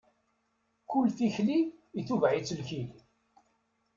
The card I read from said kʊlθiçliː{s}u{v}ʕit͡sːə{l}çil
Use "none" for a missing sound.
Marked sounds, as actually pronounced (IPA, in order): θ, v, l

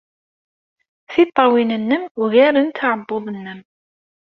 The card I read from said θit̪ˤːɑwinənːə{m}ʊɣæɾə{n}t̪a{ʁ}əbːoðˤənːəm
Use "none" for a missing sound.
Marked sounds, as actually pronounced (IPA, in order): m, n, ʕ

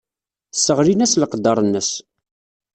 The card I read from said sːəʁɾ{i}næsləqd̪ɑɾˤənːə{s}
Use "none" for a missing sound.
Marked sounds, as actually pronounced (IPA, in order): i, s

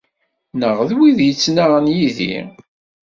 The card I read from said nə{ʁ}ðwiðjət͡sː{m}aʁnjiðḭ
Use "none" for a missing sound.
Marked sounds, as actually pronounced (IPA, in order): ʁ, n

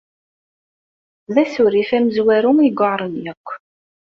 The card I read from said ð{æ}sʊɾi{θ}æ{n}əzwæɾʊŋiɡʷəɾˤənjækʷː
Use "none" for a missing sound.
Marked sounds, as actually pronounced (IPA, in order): æ, f, m

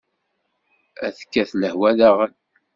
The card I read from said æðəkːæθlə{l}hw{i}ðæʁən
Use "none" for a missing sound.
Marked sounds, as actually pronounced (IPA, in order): none, æ

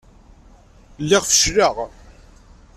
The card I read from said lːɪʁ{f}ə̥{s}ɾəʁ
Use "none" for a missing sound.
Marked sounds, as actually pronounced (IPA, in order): f, ʃ

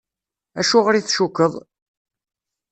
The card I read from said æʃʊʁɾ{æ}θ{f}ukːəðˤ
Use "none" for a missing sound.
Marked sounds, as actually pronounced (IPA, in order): i, ʃ

